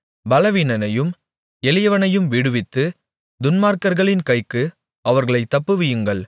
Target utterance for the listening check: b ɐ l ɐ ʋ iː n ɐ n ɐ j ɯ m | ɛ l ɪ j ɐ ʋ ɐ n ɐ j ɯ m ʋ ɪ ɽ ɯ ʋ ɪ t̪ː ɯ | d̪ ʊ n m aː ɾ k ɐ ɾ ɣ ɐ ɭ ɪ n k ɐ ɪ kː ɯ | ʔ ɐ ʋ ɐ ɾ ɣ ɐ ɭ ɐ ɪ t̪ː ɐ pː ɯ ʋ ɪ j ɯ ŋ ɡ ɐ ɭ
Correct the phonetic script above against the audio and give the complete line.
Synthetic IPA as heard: b ɐ l ɐ ʋ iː n ɐ n ɐ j ɯ m | ɛ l ɪ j ɐ ʋ ɐ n ɐ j ɯ m ʋ ɪ ɽ ɯ ʋ ɪ t̪ː ɯ | d̪ ʊ n m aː ɾ k ɐ ɾ ɣ ɐ ɭ ɪ n k ɐ ɪ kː ɯ | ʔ ɐ ʋ ɐ ɾ ɣ ɐ ɭ ɐ ɪ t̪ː ɐ pː ɯ ʋ ɪ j ɯ ŋ ɡ ɐ ɭ

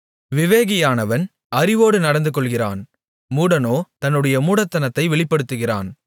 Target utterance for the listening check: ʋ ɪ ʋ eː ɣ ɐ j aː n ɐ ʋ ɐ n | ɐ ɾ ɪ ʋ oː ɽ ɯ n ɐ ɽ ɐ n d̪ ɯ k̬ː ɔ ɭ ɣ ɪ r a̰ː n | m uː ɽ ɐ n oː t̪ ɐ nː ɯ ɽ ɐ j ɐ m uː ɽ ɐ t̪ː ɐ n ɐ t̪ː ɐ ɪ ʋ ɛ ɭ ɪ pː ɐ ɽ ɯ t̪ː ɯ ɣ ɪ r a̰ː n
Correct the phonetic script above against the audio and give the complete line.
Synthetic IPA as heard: ʋ ɪ ʋ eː ɣ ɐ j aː n ɐ ʋ ɐ n | ɐ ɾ ɪ ʋ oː ɽ ɯ n ɐ ɽ ɐ n d̪ ɯ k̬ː ɔ ɭ ɣ ɪ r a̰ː n | m uː ɽ ɐ n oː t̪ ɐ nː ɯ ɽ ɐ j ɐ m uː ɽ ɐ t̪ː ɐ n ɐ t̪ː ɐ ɪ ʋ ɛ ɭ ɪ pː ɐ ɽ ɯ t̪ː ɯ ɣ ɪ r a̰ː n

